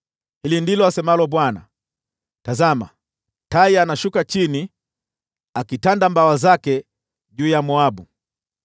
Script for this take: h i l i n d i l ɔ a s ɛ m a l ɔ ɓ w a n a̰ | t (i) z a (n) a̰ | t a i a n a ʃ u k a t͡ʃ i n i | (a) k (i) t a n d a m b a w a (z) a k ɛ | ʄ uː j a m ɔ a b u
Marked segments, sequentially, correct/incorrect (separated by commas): incorrect, incorrect, correct, correct, correct